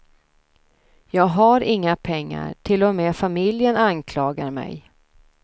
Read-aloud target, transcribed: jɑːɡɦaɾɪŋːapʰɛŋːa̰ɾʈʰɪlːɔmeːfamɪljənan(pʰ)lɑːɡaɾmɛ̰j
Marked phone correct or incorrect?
incorrect